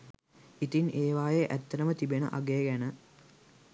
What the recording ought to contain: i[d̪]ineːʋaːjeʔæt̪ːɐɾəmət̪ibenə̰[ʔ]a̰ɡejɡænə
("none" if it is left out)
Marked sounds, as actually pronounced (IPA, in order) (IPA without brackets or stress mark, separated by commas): t̪, ʔ